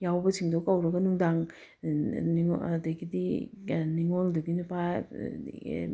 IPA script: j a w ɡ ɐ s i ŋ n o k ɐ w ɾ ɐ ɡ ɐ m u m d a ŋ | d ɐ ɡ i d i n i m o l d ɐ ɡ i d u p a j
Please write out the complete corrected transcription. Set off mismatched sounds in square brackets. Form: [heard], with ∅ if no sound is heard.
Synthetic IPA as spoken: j a w [b] ɐ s i ŋ [d] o k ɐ w ɾ ɐ ɡ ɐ [n] u [ŋ] d a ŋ | d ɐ ɡ i d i n i [ŋ] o l d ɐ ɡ i [n] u p a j

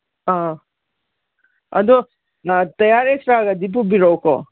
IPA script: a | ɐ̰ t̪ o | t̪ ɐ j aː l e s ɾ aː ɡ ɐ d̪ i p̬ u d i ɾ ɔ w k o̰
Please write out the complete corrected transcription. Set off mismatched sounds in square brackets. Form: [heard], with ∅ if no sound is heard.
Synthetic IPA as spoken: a | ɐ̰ [d̪] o | t̪ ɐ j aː [ɾ] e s ɾ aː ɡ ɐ d̪ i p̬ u [b] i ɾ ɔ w k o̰

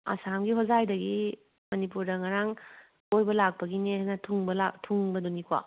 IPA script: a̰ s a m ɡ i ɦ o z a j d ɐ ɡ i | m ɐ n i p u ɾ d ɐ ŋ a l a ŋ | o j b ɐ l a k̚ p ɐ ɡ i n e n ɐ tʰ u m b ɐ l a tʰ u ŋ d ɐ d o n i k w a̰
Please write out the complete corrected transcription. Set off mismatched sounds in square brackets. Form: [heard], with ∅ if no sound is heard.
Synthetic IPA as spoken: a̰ s a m ɡ i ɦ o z a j d ɐ ɡ i | m ɐ n i p u ɾ d ɐ ŋ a [ɾ] a ŋ | o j b ɐ l a k̚ p ɐ ɡ i n e n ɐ tʰ u [ŋ] b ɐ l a tʰ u ŋ [b] ɐ d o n i k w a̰

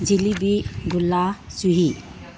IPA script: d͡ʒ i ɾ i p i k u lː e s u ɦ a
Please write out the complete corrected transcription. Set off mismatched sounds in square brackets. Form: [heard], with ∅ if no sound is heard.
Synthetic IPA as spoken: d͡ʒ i [l] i [b] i [ɡ] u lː [a] s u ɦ [i]

